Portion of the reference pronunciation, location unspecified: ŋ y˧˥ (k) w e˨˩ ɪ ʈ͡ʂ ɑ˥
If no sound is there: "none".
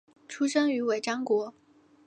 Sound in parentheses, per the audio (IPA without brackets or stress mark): none